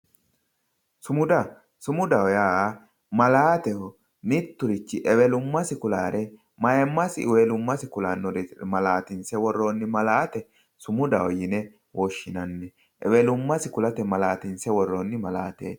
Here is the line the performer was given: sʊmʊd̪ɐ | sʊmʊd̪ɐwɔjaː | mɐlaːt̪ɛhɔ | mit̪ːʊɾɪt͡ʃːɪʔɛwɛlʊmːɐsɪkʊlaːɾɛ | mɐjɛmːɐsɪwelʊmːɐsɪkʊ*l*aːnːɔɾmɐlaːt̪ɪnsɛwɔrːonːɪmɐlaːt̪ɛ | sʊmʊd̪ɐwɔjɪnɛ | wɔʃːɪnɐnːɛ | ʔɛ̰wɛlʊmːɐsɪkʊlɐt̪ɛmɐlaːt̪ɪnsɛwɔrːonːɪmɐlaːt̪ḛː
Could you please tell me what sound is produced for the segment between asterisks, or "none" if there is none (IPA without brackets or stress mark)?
l